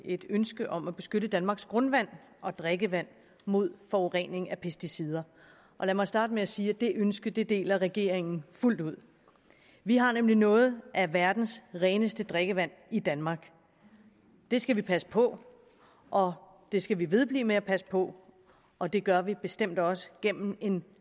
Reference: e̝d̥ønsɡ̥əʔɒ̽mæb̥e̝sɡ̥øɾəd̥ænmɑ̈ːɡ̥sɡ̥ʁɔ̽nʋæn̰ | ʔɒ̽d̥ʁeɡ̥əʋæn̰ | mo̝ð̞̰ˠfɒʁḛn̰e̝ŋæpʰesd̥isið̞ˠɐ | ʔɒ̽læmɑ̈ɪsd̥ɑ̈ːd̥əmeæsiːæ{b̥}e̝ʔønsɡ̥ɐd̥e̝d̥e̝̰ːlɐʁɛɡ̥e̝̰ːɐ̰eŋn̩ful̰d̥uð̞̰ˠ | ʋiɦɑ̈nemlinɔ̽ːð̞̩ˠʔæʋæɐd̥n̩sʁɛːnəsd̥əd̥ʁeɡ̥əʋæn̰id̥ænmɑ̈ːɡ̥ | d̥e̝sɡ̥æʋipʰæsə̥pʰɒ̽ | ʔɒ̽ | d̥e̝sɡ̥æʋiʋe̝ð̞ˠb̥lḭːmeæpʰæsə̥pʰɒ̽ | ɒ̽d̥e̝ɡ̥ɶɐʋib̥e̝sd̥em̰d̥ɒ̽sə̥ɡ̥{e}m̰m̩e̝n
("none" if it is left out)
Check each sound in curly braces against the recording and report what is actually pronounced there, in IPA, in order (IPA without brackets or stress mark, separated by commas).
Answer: d̥, e